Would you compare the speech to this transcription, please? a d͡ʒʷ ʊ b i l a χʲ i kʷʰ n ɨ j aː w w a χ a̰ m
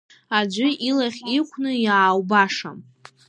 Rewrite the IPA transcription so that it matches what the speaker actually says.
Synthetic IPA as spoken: a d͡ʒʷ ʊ i l a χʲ i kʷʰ n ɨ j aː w b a ʂ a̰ m